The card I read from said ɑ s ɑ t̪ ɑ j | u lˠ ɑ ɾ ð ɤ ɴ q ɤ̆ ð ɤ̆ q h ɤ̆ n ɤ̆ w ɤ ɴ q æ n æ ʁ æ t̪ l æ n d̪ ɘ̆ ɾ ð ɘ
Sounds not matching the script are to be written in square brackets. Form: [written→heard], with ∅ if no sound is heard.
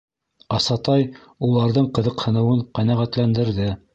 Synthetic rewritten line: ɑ s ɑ t̪ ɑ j | u lˠ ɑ ɾ ð ɤ ɴ q ɤ̆ ð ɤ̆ q h ɤ̆ n ɤ̆ w ɤ ɴ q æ n æ ʁ æ t̪ l æ n d̪ ɘ̆ ɾ ð ɘ